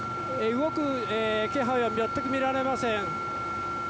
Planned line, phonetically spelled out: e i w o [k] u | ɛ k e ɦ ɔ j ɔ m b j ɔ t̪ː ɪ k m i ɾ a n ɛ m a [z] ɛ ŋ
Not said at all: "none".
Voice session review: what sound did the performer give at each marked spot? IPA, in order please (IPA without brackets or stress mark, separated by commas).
k, s